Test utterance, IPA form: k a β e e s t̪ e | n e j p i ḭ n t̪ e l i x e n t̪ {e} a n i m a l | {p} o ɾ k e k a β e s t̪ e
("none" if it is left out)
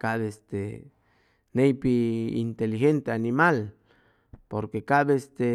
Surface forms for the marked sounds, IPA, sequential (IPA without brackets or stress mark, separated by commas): e, p